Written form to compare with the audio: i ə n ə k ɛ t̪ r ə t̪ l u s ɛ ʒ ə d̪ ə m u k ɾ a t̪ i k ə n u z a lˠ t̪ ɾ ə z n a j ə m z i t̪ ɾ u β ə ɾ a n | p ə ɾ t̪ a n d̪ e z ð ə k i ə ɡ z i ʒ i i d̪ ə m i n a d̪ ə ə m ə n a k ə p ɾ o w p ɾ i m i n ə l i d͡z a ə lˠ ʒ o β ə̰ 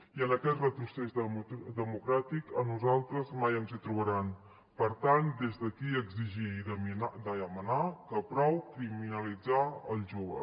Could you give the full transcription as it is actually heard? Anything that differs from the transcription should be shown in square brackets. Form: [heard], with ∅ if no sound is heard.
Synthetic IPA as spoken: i ə n ə k ɛ t̪ r ə t̪ [ɾ] u s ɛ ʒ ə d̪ ə m u k ɾ a t̪ i k ə n u z a lˠ t̪ ɾ ə z [m] a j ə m z i t̪ ɾ u β ə ɾ a n | p ə ɾ t̪ a n d̪ e z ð ə k i ə ɡ z i ʒ i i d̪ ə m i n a d̪ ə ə m ə n a k ə p ɾ [ɔ] w [k] ɾ i m i n ə l i d͡z a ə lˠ ʒ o β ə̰